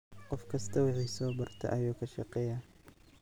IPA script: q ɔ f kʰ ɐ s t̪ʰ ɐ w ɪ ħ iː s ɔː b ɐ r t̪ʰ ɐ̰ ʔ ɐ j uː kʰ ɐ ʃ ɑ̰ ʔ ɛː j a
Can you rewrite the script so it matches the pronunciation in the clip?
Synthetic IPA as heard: q ɔ f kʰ ɐ s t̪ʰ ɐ w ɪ ħ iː s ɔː b ɐ r t̪ʰ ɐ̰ ʔ ɐ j uː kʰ ɐ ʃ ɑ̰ q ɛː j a